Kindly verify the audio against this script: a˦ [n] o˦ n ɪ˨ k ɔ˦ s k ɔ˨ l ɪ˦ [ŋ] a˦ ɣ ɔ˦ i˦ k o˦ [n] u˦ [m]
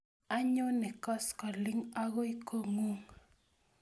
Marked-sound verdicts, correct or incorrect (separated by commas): incorrect, correct, incorrect, incorrect